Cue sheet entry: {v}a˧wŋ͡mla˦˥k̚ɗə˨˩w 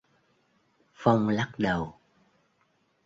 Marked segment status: incorrect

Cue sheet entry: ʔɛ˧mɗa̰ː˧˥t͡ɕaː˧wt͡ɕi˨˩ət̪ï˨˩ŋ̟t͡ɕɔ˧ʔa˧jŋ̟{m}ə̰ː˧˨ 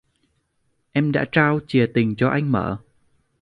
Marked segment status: correct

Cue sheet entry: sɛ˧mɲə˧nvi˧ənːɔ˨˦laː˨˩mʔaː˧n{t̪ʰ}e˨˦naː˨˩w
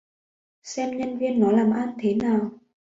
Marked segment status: correct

